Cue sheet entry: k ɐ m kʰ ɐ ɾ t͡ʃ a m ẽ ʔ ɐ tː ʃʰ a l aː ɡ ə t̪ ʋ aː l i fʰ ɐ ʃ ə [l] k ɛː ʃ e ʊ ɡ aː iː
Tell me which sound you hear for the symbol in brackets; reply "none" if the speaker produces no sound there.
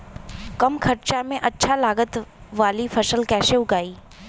l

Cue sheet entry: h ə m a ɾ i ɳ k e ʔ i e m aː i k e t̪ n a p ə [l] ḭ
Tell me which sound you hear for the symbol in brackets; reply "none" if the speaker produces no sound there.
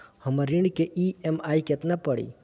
ɽ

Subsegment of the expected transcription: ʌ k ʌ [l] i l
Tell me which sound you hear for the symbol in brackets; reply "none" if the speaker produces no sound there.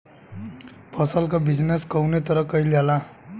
none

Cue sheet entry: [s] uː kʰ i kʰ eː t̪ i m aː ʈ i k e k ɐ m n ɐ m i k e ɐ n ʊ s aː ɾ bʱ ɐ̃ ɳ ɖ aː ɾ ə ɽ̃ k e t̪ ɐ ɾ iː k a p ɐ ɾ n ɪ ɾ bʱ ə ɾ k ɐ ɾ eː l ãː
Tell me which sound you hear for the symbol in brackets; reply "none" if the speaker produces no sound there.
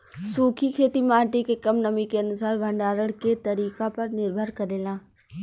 s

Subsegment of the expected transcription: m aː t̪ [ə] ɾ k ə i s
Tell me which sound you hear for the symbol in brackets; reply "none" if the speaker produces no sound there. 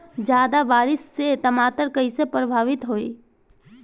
ə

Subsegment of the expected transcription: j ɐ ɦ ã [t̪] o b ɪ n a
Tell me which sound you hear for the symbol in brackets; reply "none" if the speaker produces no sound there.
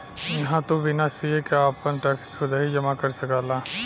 t̪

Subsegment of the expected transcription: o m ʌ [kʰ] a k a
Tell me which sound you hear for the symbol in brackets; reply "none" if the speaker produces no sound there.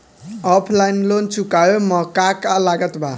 k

